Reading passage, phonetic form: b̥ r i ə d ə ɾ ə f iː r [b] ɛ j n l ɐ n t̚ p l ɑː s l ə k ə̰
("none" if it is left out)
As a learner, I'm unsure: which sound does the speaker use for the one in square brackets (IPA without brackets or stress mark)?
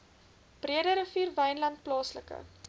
v